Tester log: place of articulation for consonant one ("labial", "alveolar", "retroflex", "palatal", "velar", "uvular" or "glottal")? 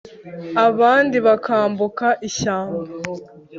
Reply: labial